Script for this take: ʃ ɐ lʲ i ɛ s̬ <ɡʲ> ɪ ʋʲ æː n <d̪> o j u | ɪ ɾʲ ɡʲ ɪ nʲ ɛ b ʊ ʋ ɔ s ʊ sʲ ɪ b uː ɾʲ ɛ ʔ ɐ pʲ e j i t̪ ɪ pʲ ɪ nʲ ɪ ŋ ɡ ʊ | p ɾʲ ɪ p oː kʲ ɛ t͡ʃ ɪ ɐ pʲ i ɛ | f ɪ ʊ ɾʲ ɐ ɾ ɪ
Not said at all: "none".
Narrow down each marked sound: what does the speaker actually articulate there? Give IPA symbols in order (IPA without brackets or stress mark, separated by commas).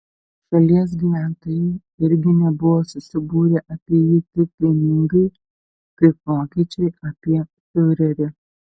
ɡʲ, t̪